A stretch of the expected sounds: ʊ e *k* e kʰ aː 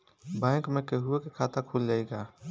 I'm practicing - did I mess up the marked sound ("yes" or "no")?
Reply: no